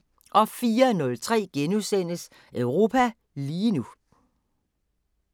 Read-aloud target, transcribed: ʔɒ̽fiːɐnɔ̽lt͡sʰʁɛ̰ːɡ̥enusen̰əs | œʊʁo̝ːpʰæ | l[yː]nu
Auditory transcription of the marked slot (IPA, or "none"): iː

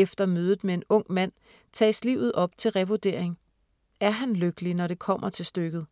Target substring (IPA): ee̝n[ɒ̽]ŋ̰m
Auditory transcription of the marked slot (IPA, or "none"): ɔ̽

